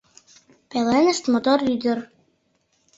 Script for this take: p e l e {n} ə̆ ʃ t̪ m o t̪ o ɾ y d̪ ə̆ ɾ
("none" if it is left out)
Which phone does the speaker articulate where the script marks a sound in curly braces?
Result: n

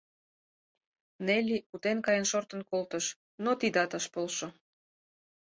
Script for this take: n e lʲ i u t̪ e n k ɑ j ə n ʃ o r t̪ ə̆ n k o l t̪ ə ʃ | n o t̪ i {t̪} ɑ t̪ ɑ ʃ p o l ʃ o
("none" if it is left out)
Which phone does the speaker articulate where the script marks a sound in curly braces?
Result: d̪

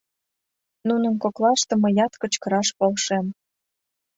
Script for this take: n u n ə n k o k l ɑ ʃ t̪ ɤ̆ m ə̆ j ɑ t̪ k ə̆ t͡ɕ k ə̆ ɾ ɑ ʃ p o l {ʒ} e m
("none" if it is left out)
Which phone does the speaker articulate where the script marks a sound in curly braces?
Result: ʃ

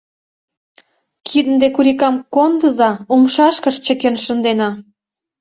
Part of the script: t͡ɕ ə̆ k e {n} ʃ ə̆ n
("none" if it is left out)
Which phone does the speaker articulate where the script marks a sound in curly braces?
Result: n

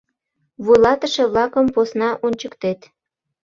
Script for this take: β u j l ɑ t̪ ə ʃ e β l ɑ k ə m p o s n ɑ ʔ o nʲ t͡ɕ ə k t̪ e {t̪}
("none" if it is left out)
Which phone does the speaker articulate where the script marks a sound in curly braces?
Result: t̪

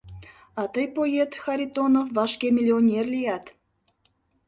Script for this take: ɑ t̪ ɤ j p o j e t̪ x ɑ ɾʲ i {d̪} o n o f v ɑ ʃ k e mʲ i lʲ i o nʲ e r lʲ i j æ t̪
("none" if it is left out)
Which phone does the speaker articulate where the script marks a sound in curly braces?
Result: t̪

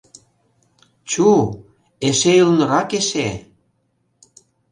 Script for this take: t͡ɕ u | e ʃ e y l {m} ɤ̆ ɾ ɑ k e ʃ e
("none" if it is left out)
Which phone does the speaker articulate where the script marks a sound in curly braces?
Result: n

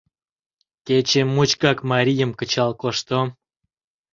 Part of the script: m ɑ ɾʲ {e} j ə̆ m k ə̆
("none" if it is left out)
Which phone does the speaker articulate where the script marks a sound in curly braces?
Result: i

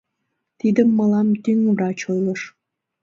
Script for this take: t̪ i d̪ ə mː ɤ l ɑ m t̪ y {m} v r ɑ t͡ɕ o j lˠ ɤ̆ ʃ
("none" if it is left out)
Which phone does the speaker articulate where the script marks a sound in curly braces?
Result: ŋ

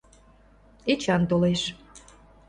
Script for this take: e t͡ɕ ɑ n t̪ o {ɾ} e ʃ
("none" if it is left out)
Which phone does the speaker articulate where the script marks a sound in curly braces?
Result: l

